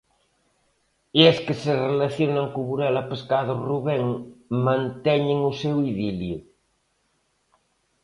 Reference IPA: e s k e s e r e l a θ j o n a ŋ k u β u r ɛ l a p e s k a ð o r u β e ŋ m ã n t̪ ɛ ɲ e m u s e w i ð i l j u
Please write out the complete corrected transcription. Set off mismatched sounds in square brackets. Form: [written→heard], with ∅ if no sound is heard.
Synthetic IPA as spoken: e s k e s e r e l a θ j o n a ŋ k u β u [r→ɾ] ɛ l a p e s k a ð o r u β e ŋ m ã n t̪ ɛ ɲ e [m→ŋ] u s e w i ð i l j u